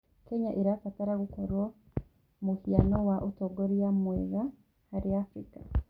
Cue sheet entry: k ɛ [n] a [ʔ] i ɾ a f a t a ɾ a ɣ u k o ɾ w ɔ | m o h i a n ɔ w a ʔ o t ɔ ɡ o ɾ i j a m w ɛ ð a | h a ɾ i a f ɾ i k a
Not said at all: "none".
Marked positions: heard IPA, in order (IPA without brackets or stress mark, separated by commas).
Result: ɲ, ʔ